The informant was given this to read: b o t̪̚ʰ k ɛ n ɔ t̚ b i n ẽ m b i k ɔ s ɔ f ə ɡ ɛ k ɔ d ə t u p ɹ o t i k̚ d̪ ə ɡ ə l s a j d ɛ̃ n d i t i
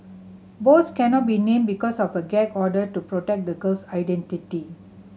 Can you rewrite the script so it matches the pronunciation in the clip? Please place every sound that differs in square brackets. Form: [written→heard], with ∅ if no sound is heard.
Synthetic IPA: b o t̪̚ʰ k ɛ n ɔ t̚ b i n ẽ m b i k ɔ s ɔ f ə ɡ ɛ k ɔ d ə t u p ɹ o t [i→ɛ] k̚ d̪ ə ɡ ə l s a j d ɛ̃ n [d→t] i t i